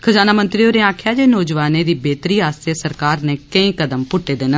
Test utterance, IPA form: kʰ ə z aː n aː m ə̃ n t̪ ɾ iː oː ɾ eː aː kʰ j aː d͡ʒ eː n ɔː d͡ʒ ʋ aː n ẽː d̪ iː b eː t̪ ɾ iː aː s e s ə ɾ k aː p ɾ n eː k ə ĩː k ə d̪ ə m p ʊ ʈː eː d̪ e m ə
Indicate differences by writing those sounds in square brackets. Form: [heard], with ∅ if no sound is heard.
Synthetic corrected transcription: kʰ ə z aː n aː m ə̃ n t̪ ɾ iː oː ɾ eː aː kʰ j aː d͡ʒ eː n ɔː d͡ʒ ʋ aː n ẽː d̪ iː b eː t̪ ɾ iː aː s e s ə ɾ k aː [∅] ɾ n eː k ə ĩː k ə d̪ ə m p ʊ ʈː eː d̪ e [n] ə